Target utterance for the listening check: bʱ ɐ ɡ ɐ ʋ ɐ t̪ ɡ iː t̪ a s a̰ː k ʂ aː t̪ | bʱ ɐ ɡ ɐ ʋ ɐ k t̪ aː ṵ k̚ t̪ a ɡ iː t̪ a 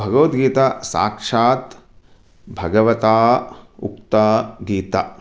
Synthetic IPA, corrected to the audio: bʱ ɐ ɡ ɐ ʋ ɐ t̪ ɡ iː t̪ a s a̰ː k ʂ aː t̪ | bʱ ɐ ɡ ɐ ʋ ɐ t̪ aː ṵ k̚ t̪ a ɡ iː t̪ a